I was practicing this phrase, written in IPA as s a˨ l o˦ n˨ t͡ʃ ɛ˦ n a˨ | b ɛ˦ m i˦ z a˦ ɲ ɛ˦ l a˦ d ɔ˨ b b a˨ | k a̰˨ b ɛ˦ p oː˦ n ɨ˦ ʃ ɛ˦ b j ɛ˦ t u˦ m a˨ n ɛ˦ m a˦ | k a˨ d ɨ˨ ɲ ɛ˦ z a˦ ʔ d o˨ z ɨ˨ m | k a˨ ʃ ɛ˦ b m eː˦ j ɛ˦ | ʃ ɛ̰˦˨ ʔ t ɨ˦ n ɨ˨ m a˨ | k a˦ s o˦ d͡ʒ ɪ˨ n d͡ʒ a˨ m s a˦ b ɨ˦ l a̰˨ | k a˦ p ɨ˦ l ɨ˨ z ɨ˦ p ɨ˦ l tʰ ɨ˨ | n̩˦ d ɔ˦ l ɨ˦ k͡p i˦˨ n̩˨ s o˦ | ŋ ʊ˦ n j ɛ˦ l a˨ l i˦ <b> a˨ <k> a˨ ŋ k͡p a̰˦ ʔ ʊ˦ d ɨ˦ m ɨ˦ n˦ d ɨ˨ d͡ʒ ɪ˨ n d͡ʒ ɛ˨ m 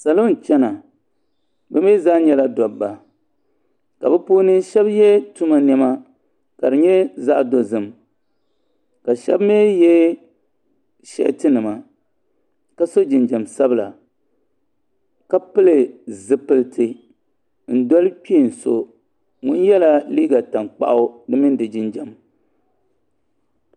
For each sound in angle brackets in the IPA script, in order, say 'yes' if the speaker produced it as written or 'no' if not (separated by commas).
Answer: no, no